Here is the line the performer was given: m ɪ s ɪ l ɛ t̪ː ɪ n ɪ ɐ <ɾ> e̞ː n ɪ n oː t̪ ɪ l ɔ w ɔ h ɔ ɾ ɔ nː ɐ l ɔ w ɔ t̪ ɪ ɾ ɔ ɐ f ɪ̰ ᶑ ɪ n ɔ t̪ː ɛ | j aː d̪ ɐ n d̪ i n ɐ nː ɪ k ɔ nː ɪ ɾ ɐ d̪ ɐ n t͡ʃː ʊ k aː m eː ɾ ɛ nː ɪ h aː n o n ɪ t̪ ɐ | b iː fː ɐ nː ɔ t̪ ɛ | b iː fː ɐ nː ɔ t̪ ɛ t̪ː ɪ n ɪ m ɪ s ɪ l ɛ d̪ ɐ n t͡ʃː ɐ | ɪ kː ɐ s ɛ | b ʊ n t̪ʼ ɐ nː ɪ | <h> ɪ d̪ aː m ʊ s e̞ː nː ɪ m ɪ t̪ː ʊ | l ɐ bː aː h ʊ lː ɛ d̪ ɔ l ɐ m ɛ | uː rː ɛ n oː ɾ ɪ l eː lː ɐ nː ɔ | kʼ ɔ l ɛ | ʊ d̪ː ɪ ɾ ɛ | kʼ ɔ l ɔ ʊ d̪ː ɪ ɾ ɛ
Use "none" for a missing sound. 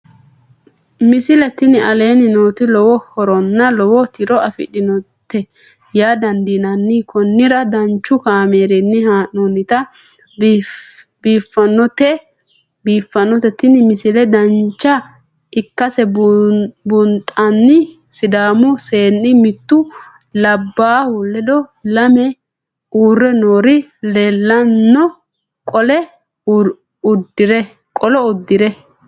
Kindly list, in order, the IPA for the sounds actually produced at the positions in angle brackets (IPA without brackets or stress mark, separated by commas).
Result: l, s